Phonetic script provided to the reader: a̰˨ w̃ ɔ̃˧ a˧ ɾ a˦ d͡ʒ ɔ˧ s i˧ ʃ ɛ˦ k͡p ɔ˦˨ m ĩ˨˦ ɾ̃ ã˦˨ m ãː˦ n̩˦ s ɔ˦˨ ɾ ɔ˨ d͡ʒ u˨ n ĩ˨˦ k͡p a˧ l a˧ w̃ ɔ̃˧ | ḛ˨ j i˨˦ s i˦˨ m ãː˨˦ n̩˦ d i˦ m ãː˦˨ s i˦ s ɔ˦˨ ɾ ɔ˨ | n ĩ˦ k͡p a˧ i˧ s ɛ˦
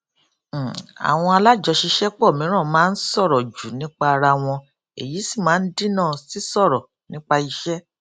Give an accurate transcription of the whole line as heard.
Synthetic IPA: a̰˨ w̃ ɔ̃˧ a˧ l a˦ d͡ʒ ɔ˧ ʃ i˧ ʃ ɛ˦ k͡p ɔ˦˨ m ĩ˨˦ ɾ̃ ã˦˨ m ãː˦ n̩˦ s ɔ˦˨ ɾ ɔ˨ d͡ʒ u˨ n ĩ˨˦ k͡p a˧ ɾ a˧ w̃ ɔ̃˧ | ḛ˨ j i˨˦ s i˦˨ m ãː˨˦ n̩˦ d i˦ n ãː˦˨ s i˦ s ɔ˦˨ ɾ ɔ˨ | n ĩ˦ k͡p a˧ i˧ ʃ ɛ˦